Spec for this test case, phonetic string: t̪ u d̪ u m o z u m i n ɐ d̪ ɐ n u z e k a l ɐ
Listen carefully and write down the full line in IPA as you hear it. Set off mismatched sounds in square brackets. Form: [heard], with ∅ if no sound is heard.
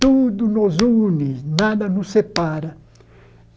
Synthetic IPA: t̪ u d̪ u [n] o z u [n] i n [a] d̪ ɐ n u [s] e [p] a [ɾ] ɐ